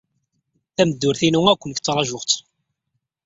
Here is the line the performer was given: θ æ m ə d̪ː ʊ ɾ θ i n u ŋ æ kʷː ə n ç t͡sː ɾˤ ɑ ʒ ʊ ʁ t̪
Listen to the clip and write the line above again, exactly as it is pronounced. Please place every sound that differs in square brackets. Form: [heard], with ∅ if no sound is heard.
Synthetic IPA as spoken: θ æ m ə d̪ː ʊ ɾ θ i n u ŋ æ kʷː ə n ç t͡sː ɾˤ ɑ ʒ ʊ ʁ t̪